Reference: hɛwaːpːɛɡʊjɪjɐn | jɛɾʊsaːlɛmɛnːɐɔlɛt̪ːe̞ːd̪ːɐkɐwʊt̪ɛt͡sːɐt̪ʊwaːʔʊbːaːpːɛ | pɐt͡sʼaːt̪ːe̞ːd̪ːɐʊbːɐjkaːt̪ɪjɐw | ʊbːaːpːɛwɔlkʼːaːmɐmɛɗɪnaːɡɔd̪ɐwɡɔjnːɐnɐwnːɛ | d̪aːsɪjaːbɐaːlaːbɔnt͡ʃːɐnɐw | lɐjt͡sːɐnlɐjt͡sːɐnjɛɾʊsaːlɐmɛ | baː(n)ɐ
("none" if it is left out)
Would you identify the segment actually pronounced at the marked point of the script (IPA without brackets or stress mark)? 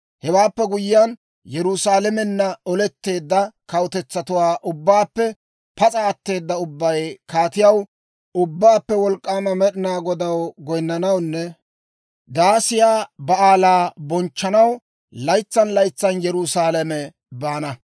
n